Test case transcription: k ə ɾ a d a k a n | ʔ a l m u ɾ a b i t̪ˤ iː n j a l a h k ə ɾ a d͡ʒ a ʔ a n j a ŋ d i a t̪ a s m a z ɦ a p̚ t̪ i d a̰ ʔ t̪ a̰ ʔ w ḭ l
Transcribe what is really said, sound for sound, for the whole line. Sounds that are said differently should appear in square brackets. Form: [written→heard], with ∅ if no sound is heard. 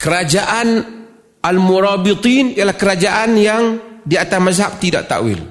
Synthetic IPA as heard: k ə ɾ a [d→d͡ʒ] a [k→ʔ] a n | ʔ a l m u ɾ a b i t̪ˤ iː n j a l a h k ə ɾ a d͡ʒ a ʔ a n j a ŋ d i a t̪ a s m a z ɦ a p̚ t̪ i d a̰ ʔ t̪ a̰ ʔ w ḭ l